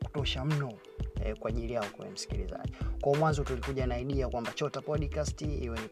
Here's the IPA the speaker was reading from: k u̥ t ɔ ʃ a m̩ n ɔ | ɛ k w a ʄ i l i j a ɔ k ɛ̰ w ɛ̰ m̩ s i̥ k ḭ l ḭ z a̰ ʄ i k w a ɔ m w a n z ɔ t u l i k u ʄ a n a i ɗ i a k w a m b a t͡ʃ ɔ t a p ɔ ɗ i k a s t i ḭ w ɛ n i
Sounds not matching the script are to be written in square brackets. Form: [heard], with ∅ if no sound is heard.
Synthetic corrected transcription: k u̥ t ɔ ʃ a m̩ n ɔ | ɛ k w a ʄ i l i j a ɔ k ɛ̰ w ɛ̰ m̩ s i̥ k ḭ l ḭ z a̰ ʄ i k w a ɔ m w a n z ɔ t u l i k u ʄ a n a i ɗ i a k w a m b a t͡ʃ ɔ t a p ɔ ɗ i k a s t i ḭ w ɛ n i